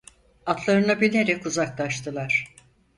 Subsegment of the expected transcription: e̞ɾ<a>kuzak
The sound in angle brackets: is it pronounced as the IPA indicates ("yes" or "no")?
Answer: no